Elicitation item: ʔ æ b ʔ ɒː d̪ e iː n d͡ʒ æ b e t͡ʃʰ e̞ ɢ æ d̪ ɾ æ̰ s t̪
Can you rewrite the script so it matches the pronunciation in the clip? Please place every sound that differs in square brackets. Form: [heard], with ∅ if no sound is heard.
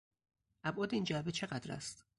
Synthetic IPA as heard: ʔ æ b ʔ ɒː d̪ e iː n d͡ʒ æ b e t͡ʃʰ e̞ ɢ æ d̪ ɾ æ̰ s t̪